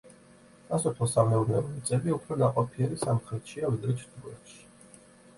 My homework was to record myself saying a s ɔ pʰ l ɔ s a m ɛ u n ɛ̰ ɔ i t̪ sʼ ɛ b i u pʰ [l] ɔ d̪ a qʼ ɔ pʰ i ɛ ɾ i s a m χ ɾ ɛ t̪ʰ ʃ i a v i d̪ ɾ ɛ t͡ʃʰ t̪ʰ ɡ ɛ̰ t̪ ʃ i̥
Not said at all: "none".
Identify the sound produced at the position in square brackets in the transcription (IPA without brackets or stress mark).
ɾ